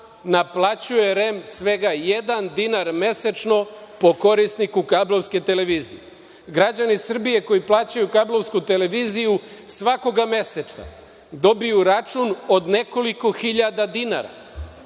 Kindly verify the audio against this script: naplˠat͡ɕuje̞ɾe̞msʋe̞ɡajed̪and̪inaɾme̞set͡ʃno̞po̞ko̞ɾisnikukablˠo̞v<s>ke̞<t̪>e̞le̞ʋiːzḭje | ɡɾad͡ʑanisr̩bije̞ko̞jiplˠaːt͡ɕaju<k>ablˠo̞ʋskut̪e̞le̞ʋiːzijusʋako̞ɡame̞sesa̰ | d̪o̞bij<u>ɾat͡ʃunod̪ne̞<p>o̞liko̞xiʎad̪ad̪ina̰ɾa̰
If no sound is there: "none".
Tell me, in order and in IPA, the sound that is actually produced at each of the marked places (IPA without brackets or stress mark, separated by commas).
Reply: s, t̪, k, u, k